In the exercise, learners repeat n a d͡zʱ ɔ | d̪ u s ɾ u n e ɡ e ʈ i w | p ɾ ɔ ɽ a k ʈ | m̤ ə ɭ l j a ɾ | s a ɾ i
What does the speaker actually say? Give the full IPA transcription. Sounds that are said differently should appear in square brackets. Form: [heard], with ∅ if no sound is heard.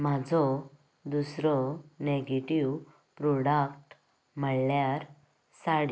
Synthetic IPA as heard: [m] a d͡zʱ ɔ | d̪ u s ɾ [ɔ] n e ɡ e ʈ i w | p ɾ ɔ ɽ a k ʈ | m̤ ə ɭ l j a ɾ | s a [ɽ] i